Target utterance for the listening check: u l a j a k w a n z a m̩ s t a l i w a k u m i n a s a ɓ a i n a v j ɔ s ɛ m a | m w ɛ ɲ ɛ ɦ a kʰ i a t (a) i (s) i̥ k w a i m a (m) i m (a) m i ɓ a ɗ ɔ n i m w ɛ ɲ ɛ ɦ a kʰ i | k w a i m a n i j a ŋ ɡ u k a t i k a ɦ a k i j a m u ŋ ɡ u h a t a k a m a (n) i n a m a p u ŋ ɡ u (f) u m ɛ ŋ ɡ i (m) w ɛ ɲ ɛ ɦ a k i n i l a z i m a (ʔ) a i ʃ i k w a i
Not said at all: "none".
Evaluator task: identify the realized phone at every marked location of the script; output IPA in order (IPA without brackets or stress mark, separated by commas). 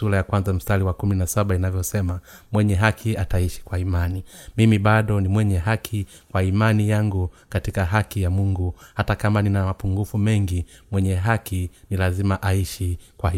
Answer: a, ʃ, n, i, n, f, m, ʔ